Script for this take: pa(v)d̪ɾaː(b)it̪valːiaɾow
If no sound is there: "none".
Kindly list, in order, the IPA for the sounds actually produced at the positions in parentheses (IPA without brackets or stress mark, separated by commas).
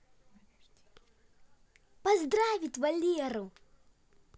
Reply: z, v